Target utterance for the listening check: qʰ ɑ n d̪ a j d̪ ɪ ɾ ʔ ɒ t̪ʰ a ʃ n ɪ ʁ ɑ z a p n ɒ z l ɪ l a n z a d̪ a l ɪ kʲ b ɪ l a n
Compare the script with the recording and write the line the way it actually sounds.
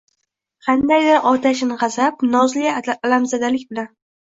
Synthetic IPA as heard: qʰ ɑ n d̪ a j d̪ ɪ ɾ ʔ ɒ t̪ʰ a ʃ n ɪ ʁ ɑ z a p n ɒ z l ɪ l a m z a d̪ a l ɪ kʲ b ɪ l a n